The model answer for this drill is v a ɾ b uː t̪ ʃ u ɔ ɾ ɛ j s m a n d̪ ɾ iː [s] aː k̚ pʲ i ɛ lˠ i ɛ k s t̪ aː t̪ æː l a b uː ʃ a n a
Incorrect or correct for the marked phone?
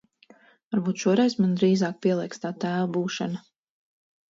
incorrect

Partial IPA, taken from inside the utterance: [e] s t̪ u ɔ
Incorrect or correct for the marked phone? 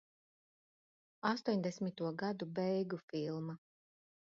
incorrect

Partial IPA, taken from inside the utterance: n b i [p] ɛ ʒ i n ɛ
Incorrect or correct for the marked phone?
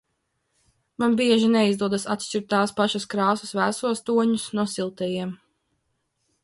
incorrect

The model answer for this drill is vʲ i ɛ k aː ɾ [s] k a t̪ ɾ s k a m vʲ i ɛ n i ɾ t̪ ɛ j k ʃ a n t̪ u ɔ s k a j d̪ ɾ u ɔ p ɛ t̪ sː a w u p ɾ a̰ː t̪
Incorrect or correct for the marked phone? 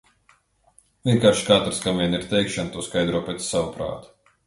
incorrect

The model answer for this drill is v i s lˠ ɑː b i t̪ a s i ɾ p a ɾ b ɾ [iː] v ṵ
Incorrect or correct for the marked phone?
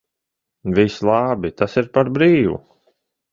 correct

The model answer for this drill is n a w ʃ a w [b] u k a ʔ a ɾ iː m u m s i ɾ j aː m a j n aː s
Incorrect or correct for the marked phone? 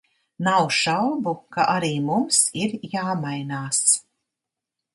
correct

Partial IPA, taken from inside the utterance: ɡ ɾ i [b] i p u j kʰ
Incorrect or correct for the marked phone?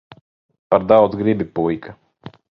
correct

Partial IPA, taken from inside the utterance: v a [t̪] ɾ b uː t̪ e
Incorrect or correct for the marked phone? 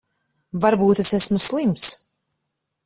incorrect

